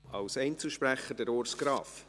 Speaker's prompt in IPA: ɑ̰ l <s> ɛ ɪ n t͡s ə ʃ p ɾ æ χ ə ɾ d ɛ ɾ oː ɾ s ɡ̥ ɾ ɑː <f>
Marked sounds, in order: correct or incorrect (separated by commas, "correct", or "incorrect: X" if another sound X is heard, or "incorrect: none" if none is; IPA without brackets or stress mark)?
correct, correct